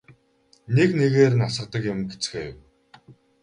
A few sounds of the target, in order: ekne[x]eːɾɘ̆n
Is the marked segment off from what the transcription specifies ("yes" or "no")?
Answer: yes